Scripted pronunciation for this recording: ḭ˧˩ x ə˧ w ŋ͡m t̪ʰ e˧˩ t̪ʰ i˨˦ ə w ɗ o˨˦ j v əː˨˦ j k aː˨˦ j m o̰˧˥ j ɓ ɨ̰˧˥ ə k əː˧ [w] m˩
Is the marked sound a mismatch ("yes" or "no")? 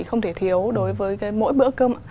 yes